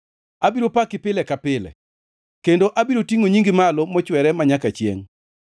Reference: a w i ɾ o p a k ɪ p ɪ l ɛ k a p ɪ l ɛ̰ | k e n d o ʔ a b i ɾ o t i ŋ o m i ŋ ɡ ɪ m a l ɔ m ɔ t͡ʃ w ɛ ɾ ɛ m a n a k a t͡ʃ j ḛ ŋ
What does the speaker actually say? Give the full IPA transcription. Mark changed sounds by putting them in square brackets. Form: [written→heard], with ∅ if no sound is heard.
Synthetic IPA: a [w→b] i ɾ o p a k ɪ p ɪ l ɛ k a p ɪ l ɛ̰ | k e n d o ʔ a b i ɾ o t i ŋ o [m→ɲ] i ŋ ɡ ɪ m a l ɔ m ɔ t͡ʃ w ɛ ɾ ɛ m a [n→ɲ] a k a t͡ʃ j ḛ ŋ